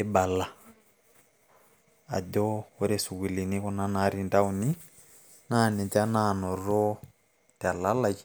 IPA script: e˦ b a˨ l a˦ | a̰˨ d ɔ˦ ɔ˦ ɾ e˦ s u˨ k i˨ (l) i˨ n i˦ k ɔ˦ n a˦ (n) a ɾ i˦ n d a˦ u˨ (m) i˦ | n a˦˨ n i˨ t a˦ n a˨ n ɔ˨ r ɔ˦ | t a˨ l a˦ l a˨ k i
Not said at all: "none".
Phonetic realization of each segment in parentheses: l, n, n

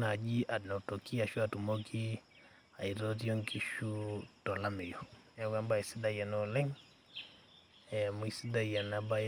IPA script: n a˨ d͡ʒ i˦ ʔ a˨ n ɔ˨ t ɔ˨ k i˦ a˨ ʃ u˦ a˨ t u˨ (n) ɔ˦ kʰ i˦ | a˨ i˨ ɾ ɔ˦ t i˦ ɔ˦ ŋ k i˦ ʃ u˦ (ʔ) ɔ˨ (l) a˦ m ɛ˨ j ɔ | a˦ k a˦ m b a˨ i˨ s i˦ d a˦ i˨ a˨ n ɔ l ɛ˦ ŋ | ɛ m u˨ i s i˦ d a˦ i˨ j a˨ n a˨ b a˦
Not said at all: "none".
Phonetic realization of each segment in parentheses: m, t, l

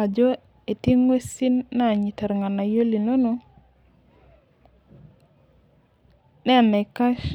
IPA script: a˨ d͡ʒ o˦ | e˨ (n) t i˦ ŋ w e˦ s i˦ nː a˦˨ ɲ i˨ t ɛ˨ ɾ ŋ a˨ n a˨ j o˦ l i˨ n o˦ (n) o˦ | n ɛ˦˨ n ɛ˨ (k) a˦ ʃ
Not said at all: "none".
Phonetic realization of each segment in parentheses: none, n, k

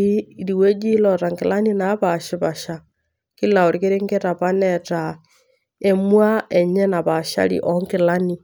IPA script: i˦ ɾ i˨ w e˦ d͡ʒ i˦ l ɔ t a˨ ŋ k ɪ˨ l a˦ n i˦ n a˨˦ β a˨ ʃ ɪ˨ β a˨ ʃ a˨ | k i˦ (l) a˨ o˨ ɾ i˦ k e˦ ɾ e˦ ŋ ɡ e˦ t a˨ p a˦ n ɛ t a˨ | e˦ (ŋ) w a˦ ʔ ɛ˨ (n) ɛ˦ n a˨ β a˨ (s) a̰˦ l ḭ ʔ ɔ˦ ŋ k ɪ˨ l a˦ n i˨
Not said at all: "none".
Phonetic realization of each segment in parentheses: l, m, ɲ, ʃ

